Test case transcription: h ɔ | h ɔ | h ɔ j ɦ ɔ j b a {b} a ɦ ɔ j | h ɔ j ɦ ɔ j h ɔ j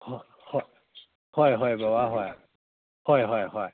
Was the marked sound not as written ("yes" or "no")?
yes